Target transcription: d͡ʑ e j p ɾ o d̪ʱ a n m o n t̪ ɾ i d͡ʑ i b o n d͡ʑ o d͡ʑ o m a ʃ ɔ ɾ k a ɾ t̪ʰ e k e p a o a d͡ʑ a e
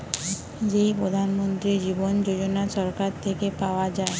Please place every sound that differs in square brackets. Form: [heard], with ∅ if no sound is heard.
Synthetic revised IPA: d͡ʑ e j p ɾ o d̪ʱ a n m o n t̪ ɾ i d͡ʑ i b o n d͡ʑ o d͡ʑ o [n] a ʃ ɔ ɾ k a ɾ t̪ʰ e k e p a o a d͡ʑ a e